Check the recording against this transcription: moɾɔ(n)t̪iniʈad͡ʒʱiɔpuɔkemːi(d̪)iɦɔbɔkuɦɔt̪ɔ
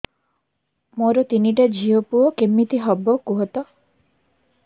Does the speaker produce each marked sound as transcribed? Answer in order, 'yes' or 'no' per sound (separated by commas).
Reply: no, no